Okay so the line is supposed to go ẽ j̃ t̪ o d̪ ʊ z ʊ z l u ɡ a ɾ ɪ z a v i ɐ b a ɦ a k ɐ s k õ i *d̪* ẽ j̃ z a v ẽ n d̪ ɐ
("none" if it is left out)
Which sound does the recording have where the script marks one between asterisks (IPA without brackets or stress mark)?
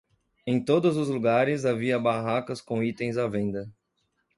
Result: t̪